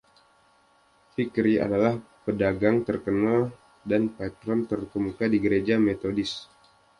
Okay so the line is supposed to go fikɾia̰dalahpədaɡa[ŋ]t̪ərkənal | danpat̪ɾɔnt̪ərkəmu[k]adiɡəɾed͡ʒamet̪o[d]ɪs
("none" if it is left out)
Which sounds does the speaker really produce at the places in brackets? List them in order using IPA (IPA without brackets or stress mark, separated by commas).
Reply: ŋ, k, d